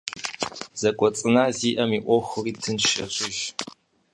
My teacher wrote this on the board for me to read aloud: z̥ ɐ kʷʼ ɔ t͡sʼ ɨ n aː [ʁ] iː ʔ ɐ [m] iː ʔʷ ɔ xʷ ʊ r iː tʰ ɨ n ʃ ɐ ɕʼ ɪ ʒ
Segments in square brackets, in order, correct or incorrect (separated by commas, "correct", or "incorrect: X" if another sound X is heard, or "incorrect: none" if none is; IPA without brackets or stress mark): incorrect: z, correct